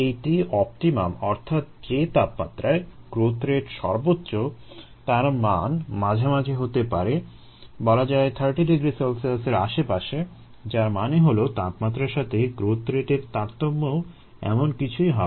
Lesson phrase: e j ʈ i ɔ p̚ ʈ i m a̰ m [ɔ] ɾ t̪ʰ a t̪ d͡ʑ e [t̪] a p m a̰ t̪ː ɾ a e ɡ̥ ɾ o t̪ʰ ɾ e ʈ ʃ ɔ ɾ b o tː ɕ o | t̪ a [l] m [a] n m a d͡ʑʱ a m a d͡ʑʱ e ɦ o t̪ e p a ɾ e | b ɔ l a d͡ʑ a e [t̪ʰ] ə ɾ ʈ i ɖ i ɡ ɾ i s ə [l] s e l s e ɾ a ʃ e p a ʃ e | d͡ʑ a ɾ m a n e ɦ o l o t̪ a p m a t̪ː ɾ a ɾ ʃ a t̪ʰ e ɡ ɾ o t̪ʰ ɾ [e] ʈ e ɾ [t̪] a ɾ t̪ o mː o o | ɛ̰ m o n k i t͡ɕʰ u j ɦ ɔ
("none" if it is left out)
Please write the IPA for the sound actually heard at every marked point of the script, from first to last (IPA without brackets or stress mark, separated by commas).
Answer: ɔ, t̪, ɾ, a, t̪ʰ, l, e, t̪